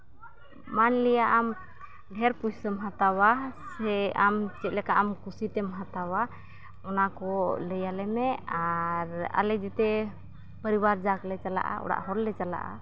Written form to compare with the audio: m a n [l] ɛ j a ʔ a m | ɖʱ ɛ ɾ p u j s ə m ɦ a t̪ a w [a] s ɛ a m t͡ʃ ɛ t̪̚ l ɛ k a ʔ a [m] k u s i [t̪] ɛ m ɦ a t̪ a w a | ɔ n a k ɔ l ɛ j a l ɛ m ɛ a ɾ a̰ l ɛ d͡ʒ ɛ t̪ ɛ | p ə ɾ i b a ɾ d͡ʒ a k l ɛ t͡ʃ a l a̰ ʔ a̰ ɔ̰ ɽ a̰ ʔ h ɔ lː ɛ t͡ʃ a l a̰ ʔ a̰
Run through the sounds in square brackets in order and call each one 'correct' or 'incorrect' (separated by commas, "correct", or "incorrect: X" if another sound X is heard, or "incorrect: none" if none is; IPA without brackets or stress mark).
correct, correct, correct, correct